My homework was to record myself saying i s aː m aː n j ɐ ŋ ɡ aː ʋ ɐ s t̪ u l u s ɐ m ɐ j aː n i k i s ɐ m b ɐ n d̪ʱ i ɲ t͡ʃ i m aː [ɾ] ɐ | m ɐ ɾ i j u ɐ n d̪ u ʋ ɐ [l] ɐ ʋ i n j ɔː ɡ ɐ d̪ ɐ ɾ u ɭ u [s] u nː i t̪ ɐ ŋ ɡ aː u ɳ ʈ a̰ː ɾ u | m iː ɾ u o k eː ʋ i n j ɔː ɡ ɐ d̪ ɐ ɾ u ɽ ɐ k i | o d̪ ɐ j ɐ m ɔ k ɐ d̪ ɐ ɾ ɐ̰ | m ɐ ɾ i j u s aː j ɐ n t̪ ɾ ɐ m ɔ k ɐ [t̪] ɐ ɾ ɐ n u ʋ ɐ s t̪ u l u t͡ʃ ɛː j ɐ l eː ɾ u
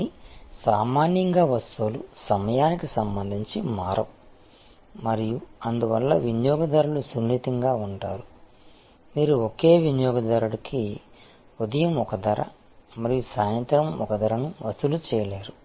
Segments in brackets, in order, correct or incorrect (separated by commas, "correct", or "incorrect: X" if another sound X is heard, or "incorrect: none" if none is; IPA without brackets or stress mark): correct, incorrect: lː, correct, incorrect: d̪